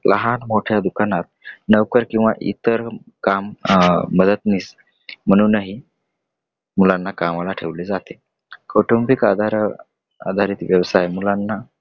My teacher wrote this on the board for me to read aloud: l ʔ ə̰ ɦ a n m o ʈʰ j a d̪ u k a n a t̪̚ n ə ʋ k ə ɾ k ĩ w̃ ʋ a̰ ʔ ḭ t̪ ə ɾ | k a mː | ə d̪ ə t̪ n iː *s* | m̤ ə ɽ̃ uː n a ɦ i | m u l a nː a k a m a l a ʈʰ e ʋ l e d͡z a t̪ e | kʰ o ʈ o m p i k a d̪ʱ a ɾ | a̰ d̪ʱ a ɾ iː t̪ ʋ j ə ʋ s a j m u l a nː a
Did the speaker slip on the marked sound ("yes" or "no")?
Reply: no